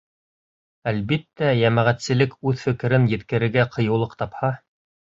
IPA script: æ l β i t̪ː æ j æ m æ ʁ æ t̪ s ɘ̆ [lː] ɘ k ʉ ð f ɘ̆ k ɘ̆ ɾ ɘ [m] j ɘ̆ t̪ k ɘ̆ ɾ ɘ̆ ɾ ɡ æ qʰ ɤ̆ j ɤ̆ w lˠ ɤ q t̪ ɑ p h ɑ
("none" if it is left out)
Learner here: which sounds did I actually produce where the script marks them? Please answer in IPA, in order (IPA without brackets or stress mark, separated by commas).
l, n